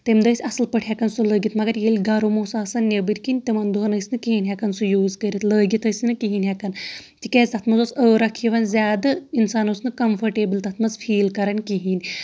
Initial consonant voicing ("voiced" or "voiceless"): voiceless